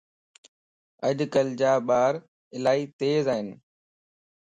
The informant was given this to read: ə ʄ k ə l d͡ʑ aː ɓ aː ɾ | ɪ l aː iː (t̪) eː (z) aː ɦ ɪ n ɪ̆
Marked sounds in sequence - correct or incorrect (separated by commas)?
correct, correct